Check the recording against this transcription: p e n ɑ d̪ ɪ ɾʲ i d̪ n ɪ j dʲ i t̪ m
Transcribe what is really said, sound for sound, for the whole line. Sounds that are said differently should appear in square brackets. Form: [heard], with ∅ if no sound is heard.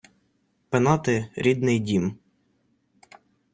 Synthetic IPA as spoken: p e n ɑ [t̪] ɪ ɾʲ i d̪ n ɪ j dʲ i [∅] m